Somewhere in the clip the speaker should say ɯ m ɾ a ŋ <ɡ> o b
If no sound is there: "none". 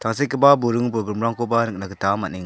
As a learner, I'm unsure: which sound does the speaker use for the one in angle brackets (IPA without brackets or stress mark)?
k